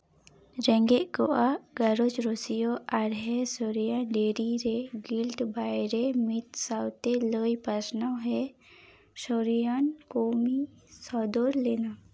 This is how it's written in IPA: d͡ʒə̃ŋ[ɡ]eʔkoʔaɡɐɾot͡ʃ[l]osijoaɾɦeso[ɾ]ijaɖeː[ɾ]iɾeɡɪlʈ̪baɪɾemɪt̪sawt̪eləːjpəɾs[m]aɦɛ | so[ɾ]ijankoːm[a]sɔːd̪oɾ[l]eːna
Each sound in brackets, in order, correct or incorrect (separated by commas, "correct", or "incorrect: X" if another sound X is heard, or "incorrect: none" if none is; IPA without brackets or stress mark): correct, incorrect: ɾ, correct, correct, incorrect: n, correct, incorrect: i, correct